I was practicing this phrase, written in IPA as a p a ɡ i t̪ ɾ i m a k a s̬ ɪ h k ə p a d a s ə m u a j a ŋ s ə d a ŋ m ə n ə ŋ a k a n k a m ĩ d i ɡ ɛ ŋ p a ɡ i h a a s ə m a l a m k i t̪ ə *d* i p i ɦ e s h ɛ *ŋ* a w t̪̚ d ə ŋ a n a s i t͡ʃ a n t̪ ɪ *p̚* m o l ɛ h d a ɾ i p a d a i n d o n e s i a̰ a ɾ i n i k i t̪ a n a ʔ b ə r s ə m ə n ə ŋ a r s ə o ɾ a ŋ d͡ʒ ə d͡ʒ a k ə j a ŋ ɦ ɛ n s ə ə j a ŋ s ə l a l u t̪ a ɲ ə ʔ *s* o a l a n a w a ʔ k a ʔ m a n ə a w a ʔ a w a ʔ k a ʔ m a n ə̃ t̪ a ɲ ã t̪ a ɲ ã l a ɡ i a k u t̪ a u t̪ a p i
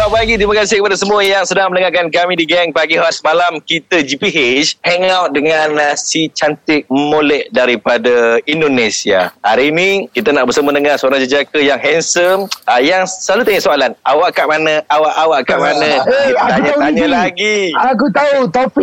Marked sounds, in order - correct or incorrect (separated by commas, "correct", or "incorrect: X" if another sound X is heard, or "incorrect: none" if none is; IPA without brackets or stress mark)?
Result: incorrect: d͡ʒ, correct, incorrect: k̚, correct